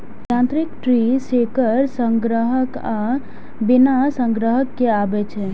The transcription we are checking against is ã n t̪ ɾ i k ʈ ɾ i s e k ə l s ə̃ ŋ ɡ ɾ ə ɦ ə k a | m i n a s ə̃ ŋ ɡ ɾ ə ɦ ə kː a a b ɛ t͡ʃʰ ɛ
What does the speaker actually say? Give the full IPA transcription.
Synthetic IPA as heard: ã n t̪ ɾ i k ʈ ɾ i s e k ə ɾ s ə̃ ŋ ɡ ɾ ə ɦ ə k a | b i n a s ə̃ ŋ ɡ ɾ ə ɦ ə kː e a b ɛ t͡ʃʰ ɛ